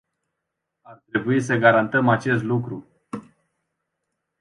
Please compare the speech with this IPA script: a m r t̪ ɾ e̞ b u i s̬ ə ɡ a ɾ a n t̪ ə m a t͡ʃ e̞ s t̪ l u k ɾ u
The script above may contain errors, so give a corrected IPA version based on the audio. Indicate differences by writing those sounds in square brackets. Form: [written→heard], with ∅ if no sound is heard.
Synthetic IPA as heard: a [m→∅] r t̪ ɾ e̞ b u i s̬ ə ɡ a ɾ a n t̪ ə m a t͡ʃ e̞ s t̪ l u k ɾ u